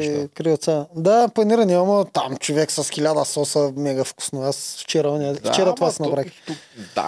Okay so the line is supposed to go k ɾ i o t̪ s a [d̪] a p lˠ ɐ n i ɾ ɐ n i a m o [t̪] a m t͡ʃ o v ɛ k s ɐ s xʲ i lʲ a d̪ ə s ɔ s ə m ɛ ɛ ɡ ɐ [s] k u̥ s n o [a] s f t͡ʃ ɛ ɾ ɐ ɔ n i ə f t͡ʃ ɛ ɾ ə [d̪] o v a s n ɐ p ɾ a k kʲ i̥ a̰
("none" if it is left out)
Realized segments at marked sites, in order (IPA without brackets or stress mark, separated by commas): d̪, t̪, f, a, t̪